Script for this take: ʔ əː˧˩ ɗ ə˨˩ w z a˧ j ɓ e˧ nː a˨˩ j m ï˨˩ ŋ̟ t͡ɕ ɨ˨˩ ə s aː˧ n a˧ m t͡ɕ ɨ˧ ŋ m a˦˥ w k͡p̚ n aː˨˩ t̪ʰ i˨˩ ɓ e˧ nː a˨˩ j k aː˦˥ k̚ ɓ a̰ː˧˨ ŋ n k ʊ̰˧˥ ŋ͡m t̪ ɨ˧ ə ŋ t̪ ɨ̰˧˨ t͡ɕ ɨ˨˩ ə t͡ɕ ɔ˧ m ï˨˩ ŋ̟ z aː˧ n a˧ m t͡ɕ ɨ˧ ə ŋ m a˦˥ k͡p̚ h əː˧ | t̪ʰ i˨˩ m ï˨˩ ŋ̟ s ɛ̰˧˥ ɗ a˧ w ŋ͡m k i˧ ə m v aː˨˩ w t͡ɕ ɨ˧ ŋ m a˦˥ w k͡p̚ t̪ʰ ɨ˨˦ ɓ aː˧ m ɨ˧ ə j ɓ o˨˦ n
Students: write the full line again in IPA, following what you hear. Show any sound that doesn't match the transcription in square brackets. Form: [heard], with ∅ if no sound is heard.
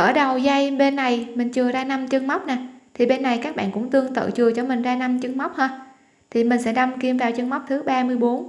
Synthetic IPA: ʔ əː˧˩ ɗ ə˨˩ w z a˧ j ɓ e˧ nː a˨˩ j m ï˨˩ ŋ̟ t͡ɕ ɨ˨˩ ə [z] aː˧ n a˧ m t͡ɕ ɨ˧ ŋ m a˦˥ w k͡p̚ n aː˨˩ t̪ʰ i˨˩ ɓ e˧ nː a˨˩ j k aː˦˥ k̚ ɓ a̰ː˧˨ [∅] n k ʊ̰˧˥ ŋ͡m t̪ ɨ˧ ə ŋ t̪ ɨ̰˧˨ t͡ɕ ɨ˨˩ ə t͡ɕ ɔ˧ m ï˨˩ ŋ̟ z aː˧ n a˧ m t͡ɕ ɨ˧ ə ŋ m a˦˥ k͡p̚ h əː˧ | t̪ʰ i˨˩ m ï˨˩ ŋ̟ s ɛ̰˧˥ ɗ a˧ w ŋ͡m k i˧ ə m v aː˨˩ w t͡ɕ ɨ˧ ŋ m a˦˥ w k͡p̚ t̪ʰ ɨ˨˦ ɓ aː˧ m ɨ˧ ə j ɓ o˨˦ n